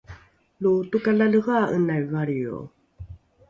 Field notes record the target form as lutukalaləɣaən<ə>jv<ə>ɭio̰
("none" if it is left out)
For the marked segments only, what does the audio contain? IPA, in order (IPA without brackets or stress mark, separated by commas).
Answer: a, a